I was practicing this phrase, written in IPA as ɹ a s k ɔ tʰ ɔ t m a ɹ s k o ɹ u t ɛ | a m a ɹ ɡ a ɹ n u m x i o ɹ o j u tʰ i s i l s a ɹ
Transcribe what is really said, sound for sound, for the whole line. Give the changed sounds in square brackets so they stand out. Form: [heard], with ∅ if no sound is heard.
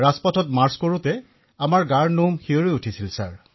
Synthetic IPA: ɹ a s [p] ɔ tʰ ɔ t m a ɹ s k o ɹ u t ɛ | a m a ɹ ɡ a ɹ n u m x i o ɹ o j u tʰ i s i l s a ɹ